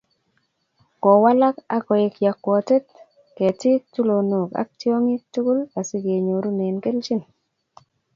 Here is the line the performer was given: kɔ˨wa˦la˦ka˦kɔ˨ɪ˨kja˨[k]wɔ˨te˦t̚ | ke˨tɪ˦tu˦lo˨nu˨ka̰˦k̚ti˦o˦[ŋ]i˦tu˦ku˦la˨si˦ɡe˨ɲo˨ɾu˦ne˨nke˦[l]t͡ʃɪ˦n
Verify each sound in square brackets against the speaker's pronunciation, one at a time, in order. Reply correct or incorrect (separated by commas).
correct, correct, correct